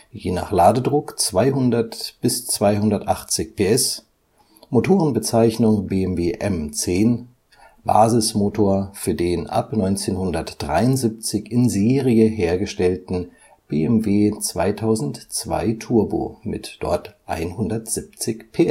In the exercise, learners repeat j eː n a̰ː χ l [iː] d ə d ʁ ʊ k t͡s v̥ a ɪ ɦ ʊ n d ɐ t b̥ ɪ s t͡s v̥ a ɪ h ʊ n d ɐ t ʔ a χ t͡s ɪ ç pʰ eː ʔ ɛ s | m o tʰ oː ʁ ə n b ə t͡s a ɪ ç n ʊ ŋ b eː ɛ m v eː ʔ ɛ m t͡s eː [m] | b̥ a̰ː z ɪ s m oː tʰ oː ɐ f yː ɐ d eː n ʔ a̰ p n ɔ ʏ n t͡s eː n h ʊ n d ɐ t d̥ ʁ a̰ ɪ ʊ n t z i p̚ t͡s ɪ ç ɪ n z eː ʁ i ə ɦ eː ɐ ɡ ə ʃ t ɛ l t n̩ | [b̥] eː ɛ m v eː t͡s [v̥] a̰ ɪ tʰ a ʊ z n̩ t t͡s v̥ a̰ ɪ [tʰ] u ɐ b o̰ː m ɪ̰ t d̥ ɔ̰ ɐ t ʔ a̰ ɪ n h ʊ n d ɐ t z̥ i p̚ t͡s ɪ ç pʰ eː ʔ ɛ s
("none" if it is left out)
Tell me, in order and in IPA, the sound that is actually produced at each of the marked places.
aː, n, b̥, v̥, tʰ

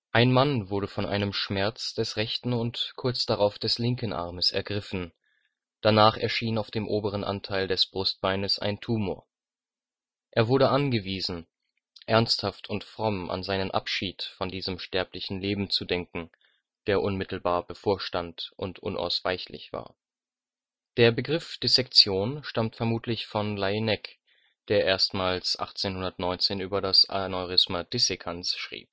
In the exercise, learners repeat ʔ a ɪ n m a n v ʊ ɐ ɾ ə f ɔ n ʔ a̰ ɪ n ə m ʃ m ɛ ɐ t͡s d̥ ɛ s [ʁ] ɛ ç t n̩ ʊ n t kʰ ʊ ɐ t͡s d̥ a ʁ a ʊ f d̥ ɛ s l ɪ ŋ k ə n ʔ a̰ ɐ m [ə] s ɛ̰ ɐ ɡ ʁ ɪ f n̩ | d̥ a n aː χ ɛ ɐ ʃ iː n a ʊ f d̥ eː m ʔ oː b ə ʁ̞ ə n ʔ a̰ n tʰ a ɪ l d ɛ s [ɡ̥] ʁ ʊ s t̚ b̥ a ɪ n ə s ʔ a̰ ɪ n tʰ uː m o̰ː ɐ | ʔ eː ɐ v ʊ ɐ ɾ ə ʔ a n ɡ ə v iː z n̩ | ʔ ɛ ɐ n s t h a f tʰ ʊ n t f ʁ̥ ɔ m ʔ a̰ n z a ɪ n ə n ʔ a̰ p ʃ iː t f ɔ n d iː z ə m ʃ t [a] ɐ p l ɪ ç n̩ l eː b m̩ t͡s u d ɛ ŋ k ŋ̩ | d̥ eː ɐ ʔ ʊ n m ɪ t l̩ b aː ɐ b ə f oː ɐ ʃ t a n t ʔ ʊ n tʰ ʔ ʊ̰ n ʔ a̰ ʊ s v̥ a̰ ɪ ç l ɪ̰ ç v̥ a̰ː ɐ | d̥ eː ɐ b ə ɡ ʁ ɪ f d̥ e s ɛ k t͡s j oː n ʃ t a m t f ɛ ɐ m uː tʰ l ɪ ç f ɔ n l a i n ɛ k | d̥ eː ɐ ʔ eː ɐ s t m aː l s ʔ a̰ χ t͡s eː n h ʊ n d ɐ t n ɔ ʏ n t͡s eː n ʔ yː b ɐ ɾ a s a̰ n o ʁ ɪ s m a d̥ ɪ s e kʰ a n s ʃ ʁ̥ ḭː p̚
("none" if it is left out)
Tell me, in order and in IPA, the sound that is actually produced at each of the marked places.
ʁ, ə, b̥, ɛ

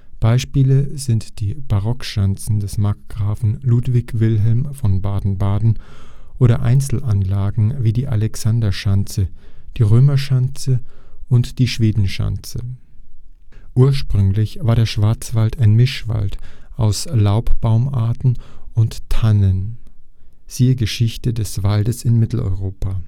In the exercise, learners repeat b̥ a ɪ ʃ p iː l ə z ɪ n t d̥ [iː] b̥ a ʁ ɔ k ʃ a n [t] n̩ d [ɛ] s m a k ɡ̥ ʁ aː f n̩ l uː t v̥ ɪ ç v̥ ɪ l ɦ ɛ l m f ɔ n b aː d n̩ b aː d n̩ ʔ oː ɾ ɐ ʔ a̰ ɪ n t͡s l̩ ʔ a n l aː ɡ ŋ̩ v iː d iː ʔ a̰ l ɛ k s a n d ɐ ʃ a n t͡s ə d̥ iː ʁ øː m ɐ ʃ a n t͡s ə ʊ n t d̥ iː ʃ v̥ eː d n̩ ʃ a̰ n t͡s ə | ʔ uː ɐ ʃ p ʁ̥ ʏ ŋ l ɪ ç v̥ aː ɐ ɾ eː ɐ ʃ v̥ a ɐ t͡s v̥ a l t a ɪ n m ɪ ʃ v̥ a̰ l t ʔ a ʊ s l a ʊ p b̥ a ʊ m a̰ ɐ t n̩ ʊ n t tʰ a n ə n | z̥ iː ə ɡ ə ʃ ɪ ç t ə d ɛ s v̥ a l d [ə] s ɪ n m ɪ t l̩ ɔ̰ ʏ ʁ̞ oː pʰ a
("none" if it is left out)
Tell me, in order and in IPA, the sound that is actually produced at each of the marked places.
iː, t͡s, ɛ, ə

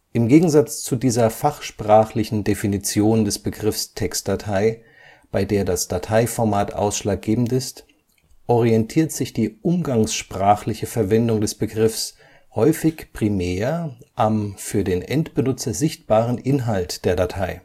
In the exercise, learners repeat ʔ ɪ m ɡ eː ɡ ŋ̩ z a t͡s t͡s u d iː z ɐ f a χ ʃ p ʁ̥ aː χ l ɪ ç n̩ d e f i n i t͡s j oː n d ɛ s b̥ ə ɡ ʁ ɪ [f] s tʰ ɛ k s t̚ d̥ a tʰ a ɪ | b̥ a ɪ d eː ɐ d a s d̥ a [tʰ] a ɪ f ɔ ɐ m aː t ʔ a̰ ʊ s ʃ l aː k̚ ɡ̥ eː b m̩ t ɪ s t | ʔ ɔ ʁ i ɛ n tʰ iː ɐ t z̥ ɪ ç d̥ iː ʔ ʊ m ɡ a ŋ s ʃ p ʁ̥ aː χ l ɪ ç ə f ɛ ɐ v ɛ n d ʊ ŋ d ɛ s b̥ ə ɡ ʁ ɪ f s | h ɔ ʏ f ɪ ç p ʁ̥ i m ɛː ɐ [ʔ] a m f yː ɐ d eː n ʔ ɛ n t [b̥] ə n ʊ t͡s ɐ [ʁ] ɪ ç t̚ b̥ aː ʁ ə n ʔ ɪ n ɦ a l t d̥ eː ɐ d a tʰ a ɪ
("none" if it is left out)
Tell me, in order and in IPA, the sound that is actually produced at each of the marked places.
f, tʰ, ʔ, b̥, z

